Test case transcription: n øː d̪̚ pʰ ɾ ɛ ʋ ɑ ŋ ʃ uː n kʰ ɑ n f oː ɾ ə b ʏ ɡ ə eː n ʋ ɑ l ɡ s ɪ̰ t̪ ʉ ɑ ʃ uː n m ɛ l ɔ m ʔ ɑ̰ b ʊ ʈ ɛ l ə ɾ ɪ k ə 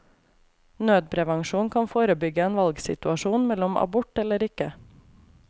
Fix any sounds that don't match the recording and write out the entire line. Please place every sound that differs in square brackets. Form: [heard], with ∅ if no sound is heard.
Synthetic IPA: n øː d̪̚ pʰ ɾ ɛ ʋ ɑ ŋ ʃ uː n kʰ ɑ n f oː ɾ ə b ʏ ɡ ə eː n ʋ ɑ l ɡ s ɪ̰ t̪ ʉ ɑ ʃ uː n m ɛ l ɔ m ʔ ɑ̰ b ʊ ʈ ɛ l ə ɾ ɪ k ə

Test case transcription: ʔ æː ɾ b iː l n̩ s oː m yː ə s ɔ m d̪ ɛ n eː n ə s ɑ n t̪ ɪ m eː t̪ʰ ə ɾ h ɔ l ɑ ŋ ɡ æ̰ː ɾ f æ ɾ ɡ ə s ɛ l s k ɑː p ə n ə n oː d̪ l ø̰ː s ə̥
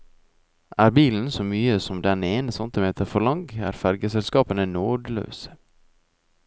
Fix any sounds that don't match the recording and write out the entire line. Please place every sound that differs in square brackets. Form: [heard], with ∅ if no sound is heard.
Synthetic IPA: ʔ æː ɾ b iː l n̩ s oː m yː ə s ɔ m d̪ ɛ n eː n ə s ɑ n t̪ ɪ m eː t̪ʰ ə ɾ [f] ɔ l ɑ ŋ ɡ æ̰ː ɾ f æ ɾ ɡ ə s ɛ l s k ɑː p ə n ə n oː d̪ l ø̰ː s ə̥

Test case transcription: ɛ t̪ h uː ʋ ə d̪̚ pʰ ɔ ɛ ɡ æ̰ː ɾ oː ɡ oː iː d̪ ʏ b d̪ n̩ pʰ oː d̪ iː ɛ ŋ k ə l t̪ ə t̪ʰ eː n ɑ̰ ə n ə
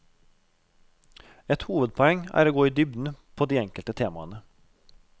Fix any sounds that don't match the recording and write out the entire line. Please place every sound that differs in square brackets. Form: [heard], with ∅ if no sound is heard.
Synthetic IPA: ɛ t̪ h uː ʋ ə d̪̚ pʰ ɔ ɛ [ŋ] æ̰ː ɾ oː ɡ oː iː d̪ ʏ b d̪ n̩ pʰ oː d̪ iː ɛ ŋ k ə l t̪ ə t̪ʰ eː [m] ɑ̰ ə n ə

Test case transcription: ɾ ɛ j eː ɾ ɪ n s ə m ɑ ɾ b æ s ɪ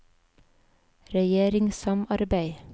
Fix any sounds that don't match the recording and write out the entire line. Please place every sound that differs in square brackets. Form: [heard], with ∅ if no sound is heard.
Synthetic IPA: ɾ ɛ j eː ɾ ɪ [ŋ] s [ɑ] m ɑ ɾ b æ [∅] ɪ

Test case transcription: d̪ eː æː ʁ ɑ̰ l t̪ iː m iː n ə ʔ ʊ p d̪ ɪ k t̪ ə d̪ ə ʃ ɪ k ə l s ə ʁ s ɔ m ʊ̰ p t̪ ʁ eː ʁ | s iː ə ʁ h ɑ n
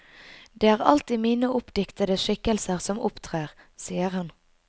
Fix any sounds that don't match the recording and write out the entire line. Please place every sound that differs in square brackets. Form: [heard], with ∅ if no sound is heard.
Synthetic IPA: d̪ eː æː ʁ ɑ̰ l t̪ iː m iː n ə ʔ ʊ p d̪ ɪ k t̪ ə d̪ ə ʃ ɪ k ə l s ə ʁ s ɔ m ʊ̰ p [t̪ʰ] ʁ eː ʁ | s iː ə ʁ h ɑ n

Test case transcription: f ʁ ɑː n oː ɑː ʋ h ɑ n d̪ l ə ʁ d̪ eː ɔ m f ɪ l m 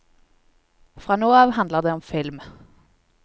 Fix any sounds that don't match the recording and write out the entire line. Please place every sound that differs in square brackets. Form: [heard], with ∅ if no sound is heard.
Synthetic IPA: f ʁ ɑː n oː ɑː ʋ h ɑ n d̪ l ə ʁ d̪ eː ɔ m f ɪ l m

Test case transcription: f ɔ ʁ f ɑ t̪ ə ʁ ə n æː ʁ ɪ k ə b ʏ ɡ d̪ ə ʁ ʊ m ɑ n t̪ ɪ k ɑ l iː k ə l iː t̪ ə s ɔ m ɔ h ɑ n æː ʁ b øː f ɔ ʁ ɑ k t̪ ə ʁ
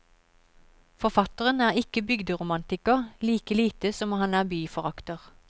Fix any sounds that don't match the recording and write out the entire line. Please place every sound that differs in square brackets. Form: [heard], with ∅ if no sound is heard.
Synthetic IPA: f ɔ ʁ f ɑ t̪ ə ʁ ə n æː ʁ ɪ k ə b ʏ ɡ d̪ ə ʁ ʊ m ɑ n t̪ ɪ k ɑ l iː k ə l iː t̪ ə s ɔ m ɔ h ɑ n æː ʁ b [yː] f ɔ ʁ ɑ k t̪ ə ʁ

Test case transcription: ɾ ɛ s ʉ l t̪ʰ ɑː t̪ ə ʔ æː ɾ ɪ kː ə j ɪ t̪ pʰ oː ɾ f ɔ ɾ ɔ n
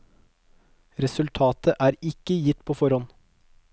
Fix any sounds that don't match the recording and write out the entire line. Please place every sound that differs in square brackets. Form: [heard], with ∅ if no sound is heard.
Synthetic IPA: ɾ ɛ s ʉ l t̪ʰ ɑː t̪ ə ʔ æː ɾ ɪ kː ə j ɪ t̪ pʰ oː [∅] f ɔ ɾ ɔ n

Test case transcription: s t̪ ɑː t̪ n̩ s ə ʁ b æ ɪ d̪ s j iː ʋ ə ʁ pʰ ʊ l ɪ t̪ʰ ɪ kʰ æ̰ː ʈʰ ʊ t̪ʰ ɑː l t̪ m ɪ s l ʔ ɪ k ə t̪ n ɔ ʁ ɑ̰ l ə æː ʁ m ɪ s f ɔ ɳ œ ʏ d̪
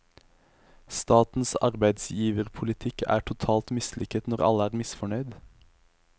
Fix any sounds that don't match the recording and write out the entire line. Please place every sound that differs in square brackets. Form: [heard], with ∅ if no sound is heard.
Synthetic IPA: s t̪ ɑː t̪ n̩ s [ɑ] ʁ b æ ɪ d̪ s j iː ʋ ə ʁ pʰ ʊ l ɪ t̪ʰ ɪ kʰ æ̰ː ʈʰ ʊ t̪ʰ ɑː l t̪ m ɪ s l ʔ ɪ k ə t̪ n ɔ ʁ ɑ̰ l ə æː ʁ m ɪ s f ɔ ɳ œ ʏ d̪

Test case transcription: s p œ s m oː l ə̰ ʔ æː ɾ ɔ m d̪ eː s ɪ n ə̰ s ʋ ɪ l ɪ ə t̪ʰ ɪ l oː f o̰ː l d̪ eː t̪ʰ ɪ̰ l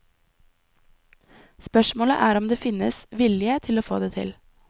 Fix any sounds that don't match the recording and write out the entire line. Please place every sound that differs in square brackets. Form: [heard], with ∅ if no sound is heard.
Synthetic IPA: s p œ [ʃ] m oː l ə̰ ʔ æː ɾ ɔ m d̪ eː [f] ɪ n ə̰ s ʋ ɪ l ɪ ə t̪ʰ ɪ l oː f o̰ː [∅] d̪ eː t̪ʰ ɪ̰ l

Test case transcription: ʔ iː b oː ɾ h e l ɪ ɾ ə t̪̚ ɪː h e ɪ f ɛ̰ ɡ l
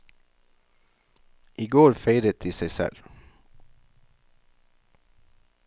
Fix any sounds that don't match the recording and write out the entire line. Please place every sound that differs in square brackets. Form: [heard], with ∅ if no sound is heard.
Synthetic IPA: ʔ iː [ɡ] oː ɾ [f] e [∅] ɪ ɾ ə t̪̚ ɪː [s] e ɪ [s] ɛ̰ [∅] l

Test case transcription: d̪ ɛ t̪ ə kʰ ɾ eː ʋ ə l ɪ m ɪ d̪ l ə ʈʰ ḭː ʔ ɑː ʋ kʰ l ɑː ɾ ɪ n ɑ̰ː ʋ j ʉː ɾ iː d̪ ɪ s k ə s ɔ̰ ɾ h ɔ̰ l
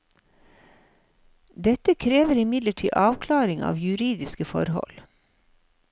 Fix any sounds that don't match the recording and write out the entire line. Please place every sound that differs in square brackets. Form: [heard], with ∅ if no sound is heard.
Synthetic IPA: d̪ ɛ t̪ ə kʰ ɾ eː ʋ ə [ɾ] ɪ m ɪ d̪ l ə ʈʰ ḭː ʔ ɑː ʋ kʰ l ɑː ɾ ɪ [ŋ] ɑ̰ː ʋ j [ʉ] ɾ iː d̪ ɪ s k ə [f] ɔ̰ ɾ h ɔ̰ l

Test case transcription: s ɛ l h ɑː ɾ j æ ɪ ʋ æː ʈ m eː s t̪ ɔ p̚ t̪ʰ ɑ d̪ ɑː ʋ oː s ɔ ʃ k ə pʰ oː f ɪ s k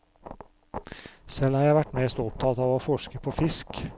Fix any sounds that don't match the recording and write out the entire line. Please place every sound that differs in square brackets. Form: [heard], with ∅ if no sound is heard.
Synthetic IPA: s ɛ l h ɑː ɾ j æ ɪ ʋ [æ] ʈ m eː s t̪ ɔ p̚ t̪ʰ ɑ [t̪] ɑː ʋ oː [f] ɔ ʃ k ə pʰ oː f ɪ s k

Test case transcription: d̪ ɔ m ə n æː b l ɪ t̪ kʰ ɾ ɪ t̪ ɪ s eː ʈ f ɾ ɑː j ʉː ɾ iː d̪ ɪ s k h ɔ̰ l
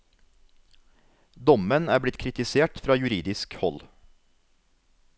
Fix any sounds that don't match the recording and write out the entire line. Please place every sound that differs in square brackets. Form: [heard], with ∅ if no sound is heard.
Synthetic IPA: d̪ ɔ m ə n æː b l ɪ t̪ kʰ ɾ ɪ t̪ ɪ s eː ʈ f ɾ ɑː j [ʉ] ɾ iː d̪ ɪ s k h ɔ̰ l

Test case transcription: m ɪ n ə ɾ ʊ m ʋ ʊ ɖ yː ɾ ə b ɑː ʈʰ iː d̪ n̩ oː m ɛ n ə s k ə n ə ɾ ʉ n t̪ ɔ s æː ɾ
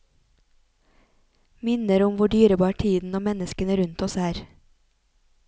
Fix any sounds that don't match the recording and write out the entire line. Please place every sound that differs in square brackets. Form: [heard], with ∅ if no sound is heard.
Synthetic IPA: m ɪ n ə ɾ ʊ m ʋ ʊ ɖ yː ɾ ə b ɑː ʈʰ iː d̪ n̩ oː m ɛ n ə s k ə n ə ɾ ʉ n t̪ ɔ s æː ɾ

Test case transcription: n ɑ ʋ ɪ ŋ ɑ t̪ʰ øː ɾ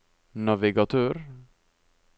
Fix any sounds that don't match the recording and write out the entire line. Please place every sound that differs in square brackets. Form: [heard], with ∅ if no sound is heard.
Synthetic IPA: n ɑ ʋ ɪ [ɡ] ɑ t̪ʰ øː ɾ

